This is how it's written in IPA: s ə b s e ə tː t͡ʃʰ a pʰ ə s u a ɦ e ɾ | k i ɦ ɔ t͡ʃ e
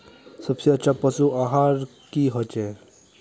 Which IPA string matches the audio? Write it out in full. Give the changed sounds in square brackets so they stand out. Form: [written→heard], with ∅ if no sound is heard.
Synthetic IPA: s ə b s e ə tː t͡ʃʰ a [pʰ→p] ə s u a ɦ [e→a] ɾ | k i ɦ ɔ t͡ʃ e